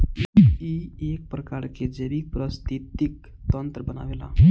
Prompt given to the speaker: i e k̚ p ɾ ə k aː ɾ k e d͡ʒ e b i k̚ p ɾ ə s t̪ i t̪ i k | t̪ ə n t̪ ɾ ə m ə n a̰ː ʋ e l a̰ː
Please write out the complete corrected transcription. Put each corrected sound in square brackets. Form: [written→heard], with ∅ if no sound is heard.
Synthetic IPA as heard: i e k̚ p ɾ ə k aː ɾ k e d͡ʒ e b i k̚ p ɾ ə s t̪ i t̪ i k | t̪ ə n t̪ ɾ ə [m→b] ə n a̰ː ʋ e l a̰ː